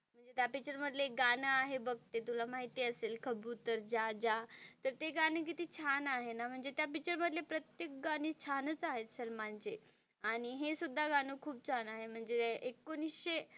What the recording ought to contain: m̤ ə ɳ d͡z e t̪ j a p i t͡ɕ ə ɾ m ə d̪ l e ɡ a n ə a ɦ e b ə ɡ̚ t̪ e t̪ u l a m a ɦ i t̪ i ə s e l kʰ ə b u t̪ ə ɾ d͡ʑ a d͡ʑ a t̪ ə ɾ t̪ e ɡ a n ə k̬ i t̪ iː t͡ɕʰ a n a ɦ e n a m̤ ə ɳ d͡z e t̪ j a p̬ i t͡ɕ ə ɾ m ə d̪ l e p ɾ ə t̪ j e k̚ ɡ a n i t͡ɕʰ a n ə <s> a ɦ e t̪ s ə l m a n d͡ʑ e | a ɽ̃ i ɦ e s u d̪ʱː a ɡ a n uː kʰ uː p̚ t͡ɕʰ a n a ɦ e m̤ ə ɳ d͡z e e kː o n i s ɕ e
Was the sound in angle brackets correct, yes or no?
no